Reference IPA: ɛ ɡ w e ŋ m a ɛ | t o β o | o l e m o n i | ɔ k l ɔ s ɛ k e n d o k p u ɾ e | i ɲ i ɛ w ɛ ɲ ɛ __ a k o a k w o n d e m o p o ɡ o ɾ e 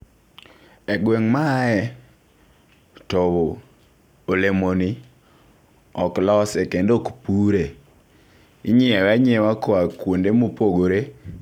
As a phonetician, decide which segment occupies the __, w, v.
w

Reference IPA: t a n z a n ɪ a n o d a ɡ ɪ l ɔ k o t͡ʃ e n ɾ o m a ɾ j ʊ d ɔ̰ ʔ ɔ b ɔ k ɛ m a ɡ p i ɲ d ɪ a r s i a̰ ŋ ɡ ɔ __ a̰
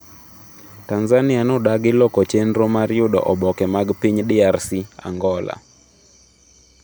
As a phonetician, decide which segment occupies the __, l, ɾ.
l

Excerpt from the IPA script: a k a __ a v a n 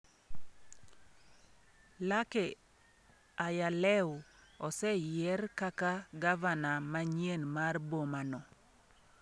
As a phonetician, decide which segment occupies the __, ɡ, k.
ɡ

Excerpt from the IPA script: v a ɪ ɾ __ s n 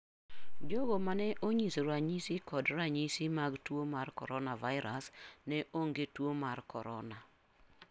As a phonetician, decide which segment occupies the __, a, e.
a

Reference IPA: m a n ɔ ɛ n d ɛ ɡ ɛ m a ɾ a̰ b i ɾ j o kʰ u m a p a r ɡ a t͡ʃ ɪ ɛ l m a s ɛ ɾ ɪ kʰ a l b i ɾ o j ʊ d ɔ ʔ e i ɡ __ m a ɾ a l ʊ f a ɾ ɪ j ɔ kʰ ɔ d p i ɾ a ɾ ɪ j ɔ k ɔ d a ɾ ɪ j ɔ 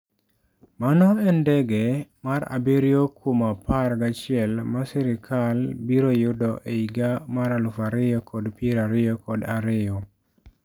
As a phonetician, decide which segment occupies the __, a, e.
a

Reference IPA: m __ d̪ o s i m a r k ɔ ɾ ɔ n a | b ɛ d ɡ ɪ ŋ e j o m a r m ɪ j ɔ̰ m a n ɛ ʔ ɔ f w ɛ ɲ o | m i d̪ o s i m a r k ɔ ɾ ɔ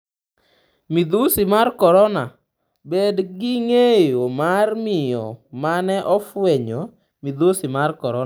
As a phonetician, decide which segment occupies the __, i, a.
i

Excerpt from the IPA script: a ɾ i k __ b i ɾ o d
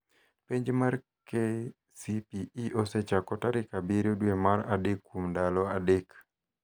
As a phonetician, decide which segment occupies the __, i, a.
a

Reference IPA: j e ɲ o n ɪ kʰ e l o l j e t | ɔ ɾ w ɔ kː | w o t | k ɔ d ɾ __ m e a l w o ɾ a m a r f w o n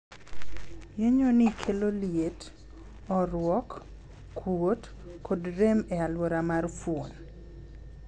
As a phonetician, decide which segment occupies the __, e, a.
e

